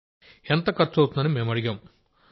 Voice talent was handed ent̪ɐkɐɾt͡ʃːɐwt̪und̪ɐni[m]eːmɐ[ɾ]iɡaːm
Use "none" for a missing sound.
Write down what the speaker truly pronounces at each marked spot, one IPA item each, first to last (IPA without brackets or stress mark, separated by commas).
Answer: m, ɽ